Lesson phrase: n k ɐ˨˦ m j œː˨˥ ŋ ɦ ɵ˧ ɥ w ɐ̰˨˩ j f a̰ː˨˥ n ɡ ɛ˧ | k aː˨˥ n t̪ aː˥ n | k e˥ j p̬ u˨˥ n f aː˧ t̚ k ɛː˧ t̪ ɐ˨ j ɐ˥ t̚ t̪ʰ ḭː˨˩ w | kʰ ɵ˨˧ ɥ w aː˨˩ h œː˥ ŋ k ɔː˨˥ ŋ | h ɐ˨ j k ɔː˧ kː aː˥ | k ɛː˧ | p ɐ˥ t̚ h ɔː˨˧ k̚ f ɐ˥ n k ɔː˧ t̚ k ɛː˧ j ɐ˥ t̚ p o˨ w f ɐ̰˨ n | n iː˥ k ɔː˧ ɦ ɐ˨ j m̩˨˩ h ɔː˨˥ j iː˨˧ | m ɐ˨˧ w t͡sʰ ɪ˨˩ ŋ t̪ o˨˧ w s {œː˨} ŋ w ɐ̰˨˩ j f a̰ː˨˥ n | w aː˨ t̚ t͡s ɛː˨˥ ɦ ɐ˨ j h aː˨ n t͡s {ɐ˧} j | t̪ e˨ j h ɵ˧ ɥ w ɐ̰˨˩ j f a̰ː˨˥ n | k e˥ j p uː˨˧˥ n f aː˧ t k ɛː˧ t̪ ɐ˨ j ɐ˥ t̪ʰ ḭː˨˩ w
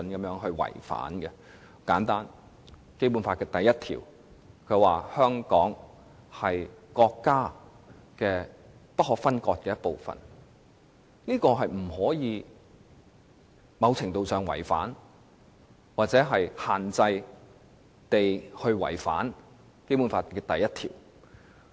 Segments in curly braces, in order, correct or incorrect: correct, correct

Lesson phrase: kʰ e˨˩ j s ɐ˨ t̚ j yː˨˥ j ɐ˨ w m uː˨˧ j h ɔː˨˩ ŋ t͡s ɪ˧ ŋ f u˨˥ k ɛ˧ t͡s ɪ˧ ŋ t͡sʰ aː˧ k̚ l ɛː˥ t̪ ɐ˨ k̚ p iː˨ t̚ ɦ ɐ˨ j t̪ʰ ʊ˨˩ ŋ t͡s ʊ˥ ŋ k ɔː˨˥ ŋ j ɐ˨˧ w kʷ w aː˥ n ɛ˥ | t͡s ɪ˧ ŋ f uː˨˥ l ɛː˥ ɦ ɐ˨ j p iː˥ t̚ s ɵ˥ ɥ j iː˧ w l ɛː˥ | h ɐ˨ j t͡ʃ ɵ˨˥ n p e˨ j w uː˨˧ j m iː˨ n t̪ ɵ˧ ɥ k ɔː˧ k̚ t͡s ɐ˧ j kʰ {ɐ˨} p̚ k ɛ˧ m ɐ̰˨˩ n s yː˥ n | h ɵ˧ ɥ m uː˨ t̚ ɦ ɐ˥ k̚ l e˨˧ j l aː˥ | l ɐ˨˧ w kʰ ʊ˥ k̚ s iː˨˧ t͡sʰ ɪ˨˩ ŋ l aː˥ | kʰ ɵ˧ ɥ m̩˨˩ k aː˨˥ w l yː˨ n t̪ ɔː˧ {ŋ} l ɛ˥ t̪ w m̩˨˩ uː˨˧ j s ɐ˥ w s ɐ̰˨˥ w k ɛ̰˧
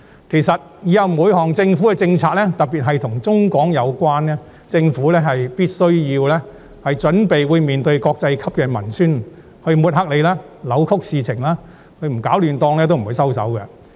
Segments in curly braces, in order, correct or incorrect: incorrect: ɐ˥, correct

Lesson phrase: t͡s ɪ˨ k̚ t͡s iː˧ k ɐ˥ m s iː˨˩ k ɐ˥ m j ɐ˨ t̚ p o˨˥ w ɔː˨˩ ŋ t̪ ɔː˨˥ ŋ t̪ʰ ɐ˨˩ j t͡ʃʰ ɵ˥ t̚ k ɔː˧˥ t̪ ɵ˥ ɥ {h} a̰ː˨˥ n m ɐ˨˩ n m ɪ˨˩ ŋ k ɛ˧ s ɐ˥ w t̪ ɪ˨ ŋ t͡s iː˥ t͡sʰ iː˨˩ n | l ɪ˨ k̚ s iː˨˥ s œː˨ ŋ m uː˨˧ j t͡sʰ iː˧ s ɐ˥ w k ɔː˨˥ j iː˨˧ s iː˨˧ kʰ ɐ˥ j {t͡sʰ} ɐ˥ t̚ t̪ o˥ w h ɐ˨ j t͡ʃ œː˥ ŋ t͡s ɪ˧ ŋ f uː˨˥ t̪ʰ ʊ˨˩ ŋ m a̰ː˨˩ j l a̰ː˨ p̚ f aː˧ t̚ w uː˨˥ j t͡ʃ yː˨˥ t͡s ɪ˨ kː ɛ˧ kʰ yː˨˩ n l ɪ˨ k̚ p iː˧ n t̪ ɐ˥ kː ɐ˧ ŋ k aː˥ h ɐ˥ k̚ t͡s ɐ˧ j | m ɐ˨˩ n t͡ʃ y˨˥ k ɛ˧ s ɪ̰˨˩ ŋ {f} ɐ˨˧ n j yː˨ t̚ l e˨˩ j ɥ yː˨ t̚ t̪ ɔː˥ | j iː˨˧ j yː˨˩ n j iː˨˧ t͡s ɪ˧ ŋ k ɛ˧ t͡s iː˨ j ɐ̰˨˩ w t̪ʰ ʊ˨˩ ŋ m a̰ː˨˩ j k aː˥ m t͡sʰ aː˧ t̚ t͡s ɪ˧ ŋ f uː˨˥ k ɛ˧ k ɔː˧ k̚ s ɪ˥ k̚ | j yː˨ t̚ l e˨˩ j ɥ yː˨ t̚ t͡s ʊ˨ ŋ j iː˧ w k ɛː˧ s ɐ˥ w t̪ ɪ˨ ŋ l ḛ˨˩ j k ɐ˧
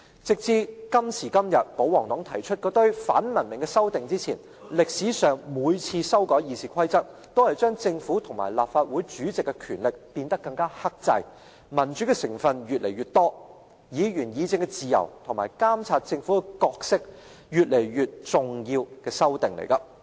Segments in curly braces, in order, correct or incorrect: incorrect: f, incorrect: t͡s, correct

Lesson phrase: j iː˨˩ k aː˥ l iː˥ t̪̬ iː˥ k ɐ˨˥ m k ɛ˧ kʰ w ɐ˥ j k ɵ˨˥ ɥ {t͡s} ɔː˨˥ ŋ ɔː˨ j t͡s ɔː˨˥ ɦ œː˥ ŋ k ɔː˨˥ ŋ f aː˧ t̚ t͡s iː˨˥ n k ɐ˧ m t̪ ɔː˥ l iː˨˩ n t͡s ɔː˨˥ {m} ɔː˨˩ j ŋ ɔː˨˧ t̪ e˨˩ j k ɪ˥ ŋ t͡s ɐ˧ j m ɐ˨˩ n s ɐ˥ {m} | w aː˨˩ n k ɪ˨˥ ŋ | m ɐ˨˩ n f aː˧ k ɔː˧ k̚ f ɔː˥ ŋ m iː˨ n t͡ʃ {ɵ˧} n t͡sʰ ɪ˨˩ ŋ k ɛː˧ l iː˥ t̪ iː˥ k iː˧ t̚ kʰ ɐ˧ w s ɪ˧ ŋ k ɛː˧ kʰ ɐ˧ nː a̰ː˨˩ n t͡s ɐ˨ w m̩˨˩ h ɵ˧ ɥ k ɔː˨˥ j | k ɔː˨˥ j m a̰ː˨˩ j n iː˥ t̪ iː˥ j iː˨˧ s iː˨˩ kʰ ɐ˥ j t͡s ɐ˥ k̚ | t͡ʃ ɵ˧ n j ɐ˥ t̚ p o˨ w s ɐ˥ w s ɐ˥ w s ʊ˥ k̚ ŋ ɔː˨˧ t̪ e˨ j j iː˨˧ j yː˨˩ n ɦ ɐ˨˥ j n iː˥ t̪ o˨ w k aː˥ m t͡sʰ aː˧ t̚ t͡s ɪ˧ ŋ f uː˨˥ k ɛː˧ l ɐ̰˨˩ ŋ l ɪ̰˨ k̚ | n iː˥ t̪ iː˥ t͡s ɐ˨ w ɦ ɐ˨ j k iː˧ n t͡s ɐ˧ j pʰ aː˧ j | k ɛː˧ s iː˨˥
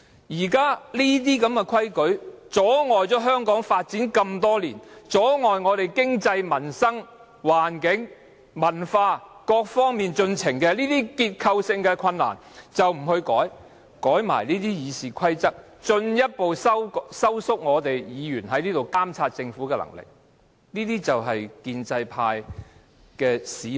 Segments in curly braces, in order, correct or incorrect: correct, incorrect: ŋ, incorrect: ŋ, correct

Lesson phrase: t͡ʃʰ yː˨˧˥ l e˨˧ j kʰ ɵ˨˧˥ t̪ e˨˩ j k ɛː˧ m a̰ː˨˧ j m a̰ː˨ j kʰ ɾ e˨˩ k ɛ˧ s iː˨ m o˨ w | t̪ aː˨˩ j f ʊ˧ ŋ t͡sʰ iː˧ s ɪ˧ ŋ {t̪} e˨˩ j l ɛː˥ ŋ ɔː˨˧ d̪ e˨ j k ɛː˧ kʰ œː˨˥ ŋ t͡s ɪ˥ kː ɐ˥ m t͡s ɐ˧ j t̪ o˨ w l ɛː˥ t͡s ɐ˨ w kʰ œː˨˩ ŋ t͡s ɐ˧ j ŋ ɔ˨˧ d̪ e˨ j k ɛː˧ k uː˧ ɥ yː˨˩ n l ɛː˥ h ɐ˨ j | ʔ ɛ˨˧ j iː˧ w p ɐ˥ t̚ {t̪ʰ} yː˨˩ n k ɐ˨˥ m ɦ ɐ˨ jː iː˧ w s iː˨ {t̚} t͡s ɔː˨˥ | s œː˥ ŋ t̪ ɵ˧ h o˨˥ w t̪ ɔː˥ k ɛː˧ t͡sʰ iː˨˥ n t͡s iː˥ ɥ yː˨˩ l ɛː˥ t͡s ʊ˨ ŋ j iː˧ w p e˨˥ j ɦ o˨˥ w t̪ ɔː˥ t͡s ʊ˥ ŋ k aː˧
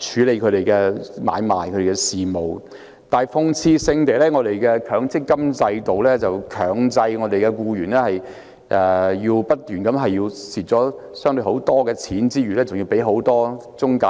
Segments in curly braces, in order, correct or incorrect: correct, incorrect: t̪, correct

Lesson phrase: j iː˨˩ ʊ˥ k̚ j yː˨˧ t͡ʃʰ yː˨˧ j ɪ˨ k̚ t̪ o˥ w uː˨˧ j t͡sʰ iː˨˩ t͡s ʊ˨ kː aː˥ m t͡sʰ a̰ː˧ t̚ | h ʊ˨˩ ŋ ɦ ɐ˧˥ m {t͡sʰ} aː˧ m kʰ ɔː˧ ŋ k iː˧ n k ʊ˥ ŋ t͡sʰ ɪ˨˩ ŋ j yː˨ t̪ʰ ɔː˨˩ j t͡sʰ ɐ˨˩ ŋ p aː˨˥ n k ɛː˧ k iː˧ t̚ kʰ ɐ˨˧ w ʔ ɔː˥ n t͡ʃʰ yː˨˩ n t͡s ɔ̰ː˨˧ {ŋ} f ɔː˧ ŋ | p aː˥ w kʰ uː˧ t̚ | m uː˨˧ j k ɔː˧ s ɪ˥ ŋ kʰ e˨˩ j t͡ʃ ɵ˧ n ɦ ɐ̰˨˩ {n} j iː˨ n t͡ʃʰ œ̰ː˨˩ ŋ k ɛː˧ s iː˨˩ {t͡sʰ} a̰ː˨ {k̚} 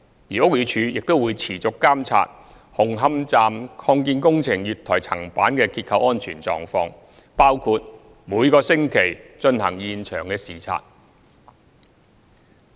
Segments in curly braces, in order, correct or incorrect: incorrect: t͡s, correct, incorrect: ŋ, correct, incorrect: t̚

